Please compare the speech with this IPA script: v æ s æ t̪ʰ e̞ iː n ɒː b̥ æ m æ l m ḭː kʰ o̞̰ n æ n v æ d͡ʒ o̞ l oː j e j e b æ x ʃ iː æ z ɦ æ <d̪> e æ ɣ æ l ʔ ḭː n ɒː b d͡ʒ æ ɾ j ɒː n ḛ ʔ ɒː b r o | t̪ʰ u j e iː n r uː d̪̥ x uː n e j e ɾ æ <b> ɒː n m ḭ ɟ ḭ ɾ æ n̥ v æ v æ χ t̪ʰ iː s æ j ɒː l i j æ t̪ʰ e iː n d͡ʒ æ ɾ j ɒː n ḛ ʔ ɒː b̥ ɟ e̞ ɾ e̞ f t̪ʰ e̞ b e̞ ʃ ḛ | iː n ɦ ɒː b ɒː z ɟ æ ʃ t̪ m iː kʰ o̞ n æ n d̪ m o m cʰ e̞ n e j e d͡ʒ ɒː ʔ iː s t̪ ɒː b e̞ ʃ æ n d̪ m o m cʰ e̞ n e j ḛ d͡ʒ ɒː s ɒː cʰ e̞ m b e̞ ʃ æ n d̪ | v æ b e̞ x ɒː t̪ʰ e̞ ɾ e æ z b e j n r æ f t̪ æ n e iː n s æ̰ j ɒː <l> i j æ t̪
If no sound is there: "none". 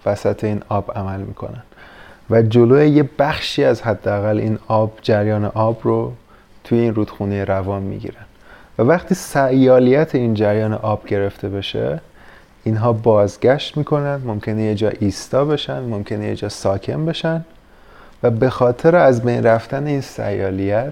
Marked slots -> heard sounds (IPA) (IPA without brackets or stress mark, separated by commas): d̪ː, v, l